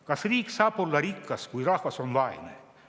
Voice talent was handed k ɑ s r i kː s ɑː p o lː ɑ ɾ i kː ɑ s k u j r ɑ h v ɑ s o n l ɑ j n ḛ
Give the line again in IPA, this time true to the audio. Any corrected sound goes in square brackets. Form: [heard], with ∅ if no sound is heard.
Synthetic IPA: k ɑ s r [iː] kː s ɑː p o lː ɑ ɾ i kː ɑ s k u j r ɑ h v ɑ s o n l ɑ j n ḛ